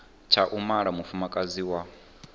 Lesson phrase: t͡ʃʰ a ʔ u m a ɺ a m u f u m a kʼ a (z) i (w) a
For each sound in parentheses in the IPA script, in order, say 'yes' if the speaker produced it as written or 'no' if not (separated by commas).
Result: yes, yes